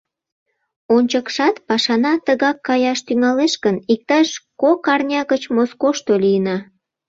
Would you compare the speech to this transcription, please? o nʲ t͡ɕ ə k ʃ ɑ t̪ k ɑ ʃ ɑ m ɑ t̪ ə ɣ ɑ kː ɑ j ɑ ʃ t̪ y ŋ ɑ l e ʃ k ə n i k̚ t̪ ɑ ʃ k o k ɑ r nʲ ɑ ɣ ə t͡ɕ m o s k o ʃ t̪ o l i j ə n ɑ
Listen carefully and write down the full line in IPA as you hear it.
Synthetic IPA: o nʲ t͡ɕ ə k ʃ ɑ t̪ p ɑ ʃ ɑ n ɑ t̪ ə ɣ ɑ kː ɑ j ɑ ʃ t̪ y ŋ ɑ l e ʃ k ə n i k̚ t̪ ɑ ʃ k o k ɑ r nʲ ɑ ɣ ə t͡ɕ m o s k o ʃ t̪ o l i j ə n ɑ